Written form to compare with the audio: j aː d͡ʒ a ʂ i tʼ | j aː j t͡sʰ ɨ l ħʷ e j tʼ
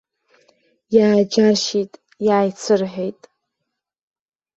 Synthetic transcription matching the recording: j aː d͡ʒ a ʃ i tʼ | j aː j t͡sʰ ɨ r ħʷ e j tʼ